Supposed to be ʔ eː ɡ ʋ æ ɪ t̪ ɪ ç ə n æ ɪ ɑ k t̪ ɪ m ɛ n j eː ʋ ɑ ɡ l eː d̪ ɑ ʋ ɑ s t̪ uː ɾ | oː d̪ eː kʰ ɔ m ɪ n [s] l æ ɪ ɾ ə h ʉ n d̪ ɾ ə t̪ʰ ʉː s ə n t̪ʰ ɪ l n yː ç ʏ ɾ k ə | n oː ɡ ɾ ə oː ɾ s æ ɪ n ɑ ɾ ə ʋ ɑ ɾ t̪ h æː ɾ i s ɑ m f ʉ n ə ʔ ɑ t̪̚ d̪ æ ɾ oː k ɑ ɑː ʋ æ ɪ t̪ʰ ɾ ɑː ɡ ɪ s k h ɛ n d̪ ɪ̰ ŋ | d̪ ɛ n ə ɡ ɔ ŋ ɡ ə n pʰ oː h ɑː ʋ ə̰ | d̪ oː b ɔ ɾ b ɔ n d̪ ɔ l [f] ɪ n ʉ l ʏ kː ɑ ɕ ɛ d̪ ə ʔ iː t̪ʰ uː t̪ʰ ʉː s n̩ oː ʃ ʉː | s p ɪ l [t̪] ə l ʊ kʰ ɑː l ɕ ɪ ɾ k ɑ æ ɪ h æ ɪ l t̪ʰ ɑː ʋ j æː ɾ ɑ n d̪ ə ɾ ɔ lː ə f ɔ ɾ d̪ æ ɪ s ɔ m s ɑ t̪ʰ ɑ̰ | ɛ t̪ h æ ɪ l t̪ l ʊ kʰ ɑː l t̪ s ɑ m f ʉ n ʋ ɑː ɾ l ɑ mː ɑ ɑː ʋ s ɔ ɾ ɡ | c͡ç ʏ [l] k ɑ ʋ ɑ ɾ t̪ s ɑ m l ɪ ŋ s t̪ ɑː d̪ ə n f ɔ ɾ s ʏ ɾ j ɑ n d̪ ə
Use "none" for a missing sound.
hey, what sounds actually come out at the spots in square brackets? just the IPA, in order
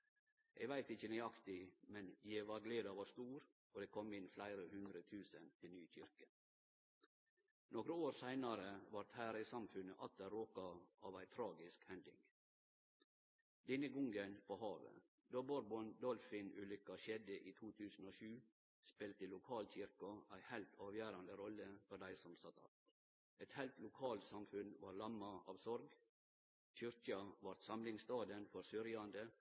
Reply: f, f, t̪, ɾ

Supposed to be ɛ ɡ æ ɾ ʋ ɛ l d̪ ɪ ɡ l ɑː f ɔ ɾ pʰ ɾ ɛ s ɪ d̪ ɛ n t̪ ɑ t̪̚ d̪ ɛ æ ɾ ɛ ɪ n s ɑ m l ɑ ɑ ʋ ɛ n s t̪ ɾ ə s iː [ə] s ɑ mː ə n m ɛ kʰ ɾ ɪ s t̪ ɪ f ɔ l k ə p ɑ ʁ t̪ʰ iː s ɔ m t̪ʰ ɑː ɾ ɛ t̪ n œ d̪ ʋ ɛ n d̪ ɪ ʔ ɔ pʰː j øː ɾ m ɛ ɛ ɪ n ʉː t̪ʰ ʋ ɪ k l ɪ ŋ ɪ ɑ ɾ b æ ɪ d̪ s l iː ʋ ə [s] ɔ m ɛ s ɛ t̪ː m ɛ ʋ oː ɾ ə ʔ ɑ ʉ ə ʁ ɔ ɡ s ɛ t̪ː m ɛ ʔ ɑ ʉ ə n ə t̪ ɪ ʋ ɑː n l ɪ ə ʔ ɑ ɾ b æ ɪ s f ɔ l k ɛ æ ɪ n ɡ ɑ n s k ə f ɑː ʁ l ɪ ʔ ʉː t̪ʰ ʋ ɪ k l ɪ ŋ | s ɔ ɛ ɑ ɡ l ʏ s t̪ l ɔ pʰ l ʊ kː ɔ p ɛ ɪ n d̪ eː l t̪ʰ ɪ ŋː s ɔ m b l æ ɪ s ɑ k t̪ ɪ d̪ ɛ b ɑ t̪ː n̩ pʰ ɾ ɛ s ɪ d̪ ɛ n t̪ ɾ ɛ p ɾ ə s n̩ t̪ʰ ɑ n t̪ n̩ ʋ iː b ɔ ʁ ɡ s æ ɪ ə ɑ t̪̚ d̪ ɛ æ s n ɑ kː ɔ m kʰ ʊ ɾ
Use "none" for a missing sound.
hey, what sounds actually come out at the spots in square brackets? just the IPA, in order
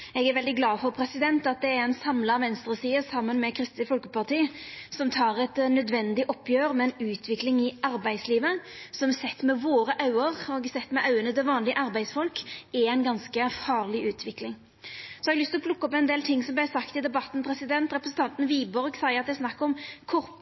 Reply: ə, s

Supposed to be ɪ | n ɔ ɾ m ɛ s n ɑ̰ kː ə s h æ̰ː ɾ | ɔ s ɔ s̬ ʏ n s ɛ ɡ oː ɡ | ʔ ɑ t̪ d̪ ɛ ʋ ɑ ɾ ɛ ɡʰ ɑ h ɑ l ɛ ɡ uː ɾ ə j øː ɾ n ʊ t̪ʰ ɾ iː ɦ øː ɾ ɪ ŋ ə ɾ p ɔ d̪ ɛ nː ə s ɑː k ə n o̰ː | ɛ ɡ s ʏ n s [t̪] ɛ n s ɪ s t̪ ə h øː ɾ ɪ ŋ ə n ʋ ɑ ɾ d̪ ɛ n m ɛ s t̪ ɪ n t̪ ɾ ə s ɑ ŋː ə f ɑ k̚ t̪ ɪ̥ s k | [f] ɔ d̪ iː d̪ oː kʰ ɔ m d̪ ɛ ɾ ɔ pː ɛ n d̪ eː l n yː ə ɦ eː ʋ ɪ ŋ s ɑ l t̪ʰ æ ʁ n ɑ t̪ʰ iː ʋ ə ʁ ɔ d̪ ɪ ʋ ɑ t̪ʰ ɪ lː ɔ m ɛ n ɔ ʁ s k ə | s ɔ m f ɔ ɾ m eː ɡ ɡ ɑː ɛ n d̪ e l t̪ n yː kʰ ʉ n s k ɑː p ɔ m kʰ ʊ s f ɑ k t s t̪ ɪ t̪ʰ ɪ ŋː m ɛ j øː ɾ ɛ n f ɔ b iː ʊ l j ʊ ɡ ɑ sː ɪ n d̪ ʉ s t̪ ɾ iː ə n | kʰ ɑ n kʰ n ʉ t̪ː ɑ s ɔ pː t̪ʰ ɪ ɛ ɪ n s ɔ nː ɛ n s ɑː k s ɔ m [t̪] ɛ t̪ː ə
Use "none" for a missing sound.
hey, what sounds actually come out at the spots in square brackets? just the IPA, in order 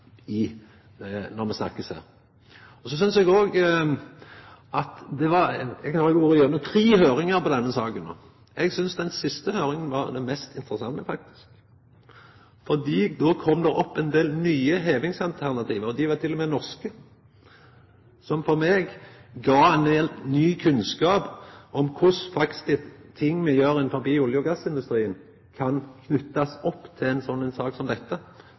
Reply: d̪, f, d̪

